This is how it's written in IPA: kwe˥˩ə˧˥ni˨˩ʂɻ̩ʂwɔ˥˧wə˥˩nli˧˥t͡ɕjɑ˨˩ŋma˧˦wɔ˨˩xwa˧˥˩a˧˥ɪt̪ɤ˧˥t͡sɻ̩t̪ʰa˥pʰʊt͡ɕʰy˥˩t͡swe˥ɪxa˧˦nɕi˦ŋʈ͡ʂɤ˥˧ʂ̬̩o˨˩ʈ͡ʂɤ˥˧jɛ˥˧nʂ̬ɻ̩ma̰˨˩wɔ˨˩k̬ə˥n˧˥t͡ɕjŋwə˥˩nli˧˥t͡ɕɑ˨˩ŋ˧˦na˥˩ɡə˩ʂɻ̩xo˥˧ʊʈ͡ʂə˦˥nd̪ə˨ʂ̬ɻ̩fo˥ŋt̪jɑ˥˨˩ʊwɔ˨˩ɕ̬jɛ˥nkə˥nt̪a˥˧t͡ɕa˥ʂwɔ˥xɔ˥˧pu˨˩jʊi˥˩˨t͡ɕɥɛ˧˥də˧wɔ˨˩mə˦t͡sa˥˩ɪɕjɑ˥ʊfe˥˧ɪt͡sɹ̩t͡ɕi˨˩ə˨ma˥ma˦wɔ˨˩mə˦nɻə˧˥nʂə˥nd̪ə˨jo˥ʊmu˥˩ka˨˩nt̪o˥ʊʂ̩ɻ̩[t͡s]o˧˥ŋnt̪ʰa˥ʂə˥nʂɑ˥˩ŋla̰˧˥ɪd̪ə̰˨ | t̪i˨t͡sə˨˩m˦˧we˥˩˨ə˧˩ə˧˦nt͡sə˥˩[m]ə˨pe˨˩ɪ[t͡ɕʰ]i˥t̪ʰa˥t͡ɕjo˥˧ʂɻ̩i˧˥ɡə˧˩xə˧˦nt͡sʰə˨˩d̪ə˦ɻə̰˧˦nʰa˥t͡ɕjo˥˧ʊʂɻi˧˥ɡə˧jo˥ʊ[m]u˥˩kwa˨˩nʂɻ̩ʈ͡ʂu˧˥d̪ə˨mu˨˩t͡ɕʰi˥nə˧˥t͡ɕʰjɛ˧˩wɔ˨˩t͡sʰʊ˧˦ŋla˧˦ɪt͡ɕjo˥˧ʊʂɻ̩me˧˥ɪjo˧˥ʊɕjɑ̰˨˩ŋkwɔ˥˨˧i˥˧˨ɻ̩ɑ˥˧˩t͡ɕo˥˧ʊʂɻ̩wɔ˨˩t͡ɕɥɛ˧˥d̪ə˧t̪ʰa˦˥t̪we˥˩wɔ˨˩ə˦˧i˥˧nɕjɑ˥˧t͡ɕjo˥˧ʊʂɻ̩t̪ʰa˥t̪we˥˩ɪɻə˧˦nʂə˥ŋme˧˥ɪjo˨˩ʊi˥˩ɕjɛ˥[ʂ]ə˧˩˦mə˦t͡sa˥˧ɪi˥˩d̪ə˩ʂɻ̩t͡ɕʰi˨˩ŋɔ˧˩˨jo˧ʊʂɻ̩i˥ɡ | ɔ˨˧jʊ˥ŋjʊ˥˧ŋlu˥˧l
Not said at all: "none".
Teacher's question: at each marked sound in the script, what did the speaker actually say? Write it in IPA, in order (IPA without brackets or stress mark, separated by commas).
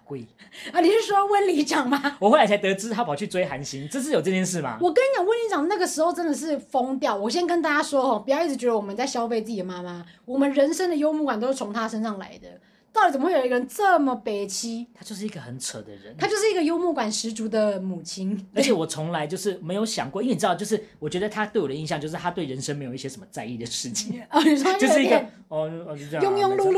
t͡sʰ, m, t͡ɕʰ, m, ʂ